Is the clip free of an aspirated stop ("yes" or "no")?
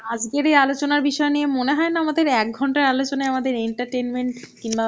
yes